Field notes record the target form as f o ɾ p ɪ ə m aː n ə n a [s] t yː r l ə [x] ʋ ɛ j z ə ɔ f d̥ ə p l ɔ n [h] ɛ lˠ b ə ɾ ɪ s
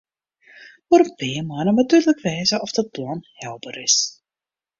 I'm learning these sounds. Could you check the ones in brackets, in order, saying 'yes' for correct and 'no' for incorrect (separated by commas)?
no, no, yes